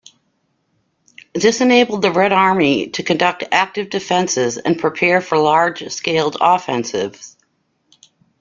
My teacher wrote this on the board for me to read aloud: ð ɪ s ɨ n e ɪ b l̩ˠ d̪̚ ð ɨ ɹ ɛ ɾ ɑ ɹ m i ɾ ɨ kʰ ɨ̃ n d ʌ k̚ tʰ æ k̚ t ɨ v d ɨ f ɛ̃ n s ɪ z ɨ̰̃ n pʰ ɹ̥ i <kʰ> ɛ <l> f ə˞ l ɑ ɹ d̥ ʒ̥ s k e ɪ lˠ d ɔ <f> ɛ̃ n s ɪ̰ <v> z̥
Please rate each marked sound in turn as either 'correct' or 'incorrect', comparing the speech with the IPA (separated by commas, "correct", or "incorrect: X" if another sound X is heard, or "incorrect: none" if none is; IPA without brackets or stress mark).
incorrect: pʰ, incorrect: ɹ, correct, correct